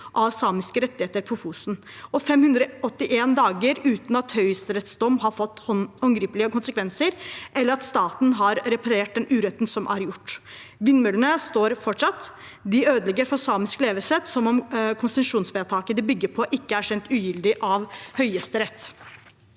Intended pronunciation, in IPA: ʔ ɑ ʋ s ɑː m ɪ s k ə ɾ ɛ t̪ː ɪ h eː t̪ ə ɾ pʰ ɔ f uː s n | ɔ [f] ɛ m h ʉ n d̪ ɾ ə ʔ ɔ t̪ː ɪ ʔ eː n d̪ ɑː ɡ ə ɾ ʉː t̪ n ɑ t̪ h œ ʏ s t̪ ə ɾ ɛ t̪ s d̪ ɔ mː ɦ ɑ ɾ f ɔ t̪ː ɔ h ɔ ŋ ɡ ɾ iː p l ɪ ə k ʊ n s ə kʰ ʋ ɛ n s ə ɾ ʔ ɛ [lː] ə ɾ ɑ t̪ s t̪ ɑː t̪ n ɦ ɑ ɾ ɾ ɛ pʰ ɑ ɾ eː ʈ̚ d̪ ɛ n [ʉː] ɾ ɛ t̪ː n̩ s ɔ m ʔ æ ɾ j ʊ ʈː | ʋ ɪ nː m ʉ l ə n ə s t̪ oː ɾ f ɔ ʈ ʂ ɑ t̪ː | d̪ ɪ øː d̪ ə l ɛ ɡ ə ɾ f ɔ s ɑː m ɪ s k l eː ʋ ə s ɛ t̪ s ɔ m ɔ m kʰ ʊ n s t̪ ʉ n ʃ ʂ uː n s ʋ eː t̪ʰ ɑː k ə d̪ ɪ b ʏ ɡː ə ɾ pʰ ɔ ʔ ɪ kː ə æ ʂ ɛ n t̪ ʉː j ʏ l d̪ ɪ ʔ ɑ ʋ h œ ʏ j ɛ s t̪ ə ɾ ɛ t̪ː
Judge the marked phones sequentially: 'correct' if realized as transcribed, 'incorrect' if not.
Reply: correct, correct, correct

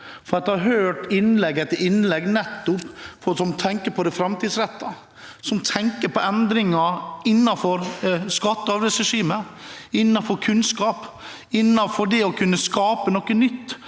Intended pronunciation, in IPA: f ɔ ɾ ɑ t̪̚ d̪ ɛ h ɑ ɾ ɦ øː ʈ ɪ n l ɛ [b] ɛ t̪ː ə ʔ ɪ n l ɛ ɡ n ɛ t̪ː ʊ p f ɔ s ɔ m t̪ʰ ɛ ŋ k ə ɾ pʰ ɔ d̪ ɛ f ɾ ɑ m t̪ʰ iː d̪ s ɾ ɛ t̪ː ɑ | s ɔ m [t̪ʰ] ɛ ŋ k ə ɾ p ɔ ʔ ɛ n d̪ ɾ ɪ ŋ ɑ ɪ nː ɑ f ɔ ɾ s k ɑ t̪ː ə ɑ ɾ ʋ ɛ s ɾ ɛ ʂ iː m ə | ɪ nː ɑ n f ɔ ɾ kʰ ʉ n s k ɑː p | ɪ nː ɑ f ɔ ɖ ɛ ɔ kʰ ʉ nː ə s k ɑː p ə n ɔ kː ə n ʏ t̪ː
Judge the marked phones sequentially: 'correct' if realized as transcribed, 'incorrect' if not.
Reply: incorrect: ɡ, correct

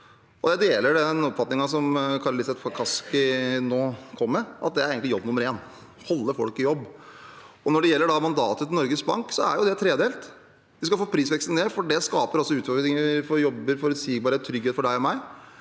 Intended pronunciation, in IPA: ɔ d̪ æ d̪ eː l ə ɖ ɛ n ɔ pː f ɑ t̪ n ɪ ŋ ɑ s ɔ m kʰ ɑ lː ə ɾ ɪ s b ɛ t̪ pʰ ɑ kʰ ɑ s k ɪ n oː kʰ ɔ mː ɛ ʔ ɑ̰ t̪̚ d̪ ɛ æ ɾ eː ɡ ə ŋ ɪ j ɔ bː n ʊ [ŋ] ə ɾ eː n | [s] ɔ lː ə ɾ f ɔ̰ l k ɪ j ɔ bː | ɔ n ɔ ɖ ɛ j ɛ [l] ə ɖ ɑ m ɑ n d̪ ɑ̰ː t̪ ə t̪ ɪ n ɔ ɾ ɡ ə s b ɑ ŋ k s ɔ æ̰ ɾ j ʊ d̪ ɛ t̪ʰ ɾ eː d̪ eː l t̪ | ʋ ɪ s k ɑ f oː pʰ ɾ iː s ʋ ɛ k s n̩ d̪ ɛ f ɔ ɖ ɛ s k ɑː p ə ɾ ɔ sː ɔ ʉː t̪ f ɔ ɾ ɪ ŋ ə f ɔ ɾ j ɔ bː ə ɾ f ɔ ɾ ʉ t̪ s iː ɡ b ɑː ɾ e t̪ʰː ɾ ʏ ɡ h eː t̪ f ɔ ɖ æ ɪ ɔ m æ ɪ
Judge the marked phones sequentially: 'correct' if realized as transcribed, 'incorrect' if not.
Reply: incorrect: m, incorrect: h, incorrect: lː

